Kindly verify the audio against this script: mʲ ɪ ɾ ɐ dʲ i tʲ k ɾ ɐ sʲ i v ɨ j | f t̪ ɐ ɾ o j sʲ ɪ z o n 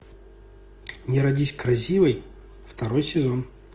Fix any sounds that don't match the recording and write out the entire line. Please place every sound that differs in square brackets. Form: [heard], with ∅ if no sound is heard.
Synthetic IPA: [nʲ] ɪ ɾ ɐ dʲ i [sʲ] k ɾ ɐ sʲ i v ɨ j | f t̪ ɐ ɾ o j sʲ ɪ z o n